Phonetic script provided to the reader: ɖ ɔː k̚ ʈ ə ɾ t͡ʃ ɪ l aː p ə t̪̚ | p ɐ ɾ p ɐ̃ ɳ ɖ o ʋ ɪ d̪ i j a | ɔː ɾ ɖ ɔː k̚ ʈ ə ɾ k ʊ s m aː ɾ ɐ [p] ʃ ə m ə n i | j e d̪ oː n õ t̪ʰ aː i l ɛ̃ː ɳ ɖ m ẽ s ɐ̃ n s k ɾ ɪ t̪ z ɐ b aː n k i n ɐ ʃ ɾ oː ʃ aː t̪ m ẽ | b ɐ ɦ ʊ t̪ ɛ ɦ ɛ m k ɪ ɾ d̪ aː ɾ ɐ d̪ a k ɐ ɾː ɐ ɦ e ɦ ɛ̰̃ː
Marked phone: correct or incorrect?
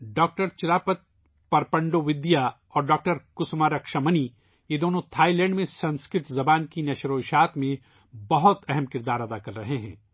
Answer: incorrect